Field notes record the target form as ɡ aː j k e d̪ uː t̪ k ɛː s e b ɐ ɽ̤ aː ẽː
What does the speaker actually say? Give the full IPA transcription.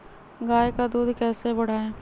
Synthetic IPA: ɡ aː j k a d̪ uː d̪ k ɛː s e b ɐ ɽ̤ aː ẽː